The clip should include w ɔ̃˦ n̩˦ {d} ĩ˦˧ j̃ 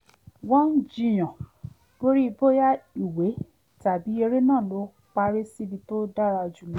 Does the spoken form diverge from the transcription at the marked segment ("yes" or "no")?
yes